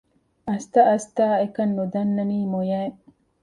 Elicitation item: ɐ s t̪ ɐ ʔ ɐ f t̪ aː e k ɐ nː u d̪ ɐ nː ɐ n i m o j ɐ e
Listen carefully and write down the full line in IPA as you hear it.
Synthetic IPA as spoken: ɐ s t̪ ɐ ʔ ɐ s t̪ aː e k ɐ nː u d̪ ɐ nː ɐ n iː m o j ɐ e